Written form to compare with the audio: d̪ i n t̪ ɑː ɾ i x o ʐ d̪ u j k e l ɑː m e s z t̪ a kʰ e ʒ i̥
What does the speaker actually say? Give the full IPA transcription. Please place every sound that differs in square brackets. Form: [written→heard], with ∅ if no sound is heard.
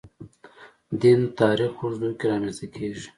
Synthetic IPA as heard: d̪ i n t̪ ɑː ɾ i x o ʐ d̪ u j k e [l→ɾ] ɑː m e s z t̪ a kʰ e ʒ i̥